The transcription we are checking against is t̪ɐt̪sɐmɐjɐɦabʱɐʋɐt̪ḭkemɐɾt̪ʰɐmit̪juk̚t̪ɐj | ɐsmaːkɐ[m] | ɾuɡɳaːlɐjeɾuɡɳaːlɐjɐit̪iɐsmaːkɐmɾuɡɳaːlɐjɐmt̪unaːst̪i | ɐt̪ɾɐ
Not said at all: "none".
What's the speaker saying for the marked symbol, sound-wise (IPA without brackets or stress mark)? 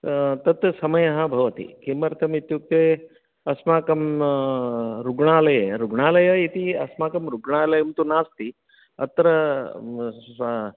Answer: m